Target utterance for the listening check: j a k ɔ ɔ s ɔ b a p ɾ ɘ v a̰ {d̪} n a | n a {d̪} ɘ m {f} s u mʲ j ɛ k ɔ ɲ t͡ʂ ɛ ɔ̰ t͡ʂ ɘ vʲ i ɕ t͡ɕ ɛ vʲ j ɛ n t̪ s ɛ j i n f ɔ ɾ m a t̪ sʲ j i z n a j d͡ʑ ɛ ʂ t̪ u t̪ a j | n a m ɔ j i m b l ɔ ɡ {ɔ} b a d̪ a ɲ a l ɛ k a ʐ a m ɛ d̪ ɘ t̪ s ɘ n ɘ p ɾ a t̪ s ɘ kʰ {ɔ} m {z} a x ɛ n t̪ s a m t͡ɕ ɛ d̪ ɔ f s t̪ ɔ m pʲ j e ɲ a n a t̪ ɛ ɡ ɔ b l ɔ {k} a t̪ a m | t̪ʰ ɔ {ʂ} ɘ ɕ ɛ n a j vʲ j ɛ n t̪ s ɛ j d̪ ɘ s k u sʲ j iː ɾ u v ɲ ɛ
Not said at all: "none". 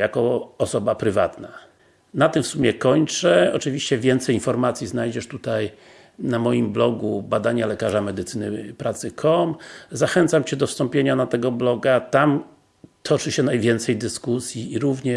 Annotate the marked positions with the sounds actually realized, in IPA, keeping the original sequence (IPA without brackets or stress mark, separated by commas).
t̪, t̪, f, u, ɔ, z, ɡ, t͡ʂ